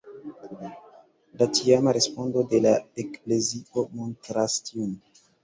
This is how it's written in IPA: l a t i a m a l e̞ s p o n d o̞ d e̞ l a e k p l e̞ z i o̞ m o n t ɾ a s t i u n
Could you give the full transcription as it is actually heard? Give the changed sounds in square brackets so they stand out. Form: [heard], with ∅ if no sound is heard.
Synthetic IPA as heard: l a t i a m a [ɾ] e̞ s p o n d o̞ d e̞ l a e k p l e̞ z i o̞ m o n t ɾ a s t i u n